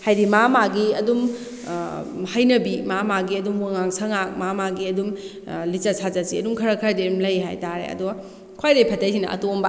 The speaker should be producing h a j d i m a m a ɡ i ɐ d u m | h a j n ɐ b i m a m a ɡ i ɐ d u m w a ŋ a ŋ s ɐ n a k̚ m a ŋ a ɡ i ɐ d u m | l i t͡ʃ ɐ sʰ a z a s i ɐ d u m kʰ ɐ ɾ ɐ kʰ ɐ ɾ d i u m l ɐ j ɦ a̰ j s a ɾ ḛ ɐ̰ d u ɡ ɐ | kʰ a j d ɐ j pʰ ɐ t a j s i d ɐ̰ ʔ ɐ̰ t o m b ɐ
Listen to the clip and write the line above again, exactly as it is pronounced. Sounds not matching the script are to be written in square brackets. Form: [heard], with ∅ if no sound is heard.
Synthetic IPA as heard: h a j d i m a m a ɡ i ɐ d u m | h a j n ɐ b i m a m a ɡ i ɐ d u m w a ŋ a ŋ s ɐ [ŋ] a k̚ m a [m] a ɡ i ɐ d u m | l i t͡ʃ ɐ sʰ a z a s i ɐ d u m kʰ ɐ ɾ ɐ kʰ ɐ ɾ d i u m l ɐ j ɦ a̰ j [t] a ɾ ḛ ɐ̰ d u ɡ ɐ | kʰ a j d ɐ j pʰ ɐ t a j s i [n] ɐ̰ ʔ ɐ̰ t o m b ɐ